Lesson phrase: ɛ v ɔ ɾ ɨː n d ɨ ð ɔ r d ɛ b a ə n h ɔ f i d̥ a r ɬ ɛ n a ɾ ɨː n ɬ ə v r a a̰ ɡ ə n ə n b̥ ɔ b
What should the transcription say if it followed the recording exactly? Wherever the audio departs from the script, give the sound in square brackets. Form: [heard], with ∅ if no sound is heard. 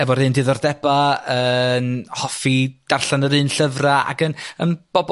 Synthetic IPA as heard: ɛ v ɔ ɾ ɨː n d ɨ ð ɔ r d ɛ b a ə n h ɔ f i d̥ a r ɬ [a] n [ə] ɾ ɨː n ɬ ə v r a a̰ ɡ ə n ə n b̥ ɔ b